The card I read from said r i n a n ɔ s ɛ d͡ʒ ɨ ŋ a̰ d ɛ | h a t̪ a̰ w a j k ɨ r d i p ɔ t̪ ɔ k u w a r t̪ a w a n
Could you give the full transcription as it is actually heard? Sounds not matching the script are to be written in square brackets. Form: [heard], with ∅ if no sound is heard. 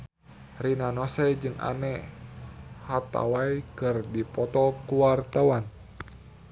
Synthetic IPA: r i n a n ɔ s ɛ d͡ʒ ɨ ŋ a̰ [n] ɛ | h a t̪ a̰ w a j k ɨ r d i p ɔ t̪ ɔ k u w a r t̪ a w a n